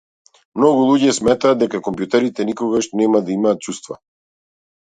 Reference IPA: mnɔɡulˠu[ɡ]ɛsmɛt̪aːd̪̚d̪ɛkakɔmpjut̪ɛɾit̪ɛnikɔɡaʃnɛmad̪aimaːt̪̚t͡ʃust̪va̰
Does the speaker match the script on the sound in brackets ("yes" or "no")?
no